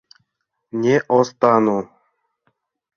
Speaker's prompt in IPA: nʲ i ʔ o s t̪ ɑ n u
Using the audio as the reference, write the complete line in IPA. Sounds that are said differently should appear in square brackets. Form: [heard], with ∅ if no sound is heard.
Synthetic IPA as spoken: nʲ [e] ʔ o s t̪ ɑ n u